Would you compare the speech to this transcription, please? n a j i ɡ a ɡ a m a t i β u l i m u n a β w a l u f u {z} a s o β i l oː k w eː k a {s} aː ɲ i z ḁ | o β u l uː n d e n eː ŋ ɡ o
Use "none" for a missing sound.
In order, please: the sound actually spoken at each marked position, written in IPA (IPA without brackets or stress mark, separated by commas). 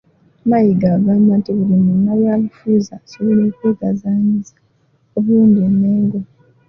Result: z, z